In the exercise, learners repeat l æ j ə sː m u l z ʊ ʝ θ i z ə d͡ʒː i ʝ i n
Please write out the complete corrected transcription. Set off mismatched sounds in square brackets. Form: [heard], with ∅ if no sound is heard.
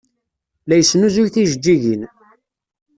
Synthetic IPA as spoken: l æ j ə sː [n] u [∅] z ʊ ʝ θ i [ʒ] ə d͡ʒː i ʝ i n